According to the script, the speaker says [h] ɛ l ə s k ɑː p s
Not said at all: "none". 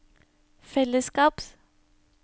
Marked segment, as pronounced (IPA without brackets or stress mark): f